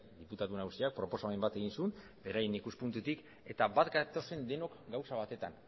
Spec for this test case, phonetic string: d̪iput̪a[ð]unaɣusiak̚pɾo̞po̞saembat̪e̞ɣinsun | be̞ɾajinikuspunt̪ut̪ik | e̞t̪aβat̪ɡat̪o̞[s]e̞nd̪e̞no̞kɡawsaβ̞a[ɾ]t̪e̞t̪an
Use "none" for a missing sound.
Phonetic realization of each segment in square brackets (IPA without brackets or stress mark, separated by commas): ð, s, none